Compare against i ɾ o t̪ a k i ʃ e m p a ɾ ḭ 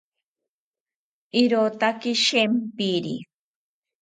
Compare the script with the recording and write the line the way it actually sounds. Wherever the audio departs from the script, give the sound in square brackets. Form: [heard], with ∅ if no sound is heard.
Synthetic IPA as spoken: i ɾ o t̪ a k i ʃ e m p [i] ɾ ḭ